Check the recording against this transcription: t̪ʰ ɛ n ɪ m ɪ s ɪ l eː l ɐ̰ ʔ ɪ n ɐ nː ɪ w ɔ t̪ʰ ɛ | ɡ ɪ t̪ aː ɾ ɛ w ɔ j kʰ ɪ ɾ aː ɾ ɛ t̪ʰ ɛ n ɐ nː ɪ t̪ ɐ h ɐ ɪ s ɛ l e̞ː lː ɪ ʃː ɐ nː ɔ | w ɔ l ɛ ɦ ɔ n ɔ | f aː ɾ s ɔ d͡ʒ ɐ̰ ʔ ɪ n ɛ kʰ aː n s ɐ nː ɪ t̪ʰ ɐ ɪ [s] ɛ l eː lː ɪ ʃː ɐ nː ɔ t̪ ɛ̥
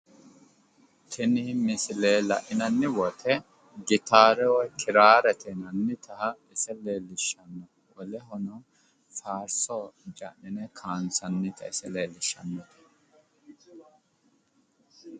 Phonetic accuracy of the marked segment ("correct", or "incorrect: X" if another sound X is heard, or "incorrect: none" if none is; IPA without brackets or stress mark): correct